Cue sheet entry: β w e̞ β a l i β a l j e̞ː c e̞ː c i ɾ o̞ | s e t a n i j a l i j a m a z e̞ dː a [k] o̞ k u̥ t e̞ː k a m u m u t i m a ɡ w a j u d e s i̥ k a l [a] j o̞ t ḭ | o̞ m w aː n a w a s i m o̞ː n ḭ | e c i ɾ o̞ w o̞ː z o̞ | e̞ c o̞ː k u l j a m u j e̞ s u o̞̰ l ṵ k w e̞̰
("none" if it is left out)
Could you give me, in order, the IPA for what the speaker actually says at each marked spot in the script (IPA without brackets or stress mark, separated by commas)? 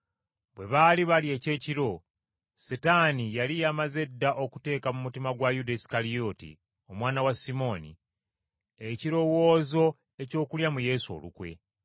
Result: ʔ, i